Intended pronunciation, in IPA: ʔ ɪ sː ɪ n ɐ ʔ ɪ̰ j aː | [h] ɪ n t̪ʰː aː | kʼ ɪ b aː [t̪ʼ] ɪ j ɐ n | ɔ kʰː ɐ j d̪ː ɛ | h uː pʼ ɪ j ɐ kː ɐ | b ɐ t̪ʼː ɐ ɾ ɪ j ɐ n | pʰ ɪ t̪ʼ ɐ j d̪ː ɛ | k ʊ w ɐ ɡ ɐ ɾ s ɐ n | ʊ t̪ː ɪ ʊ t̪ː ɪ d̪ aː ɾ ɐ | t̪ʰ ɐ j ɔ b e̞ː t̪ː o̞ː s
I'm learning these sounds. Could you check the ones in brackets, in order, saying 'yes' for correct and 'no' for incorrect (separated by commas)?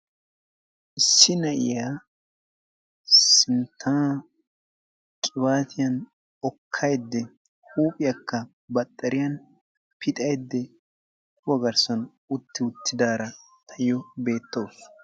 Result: no, no